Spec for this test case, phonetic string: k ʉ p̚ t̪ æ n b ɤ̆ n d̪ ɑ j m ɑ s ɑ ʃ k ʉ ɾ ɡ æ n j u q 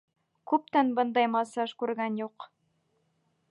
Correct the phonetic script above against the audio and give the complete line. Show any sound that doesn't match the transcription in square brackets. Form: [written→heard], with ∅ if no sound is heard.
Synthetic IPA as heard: k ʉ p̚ t̪ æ n b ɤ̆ n d̪ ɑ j m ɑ s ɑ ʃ k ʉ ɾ ɡ æ n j u q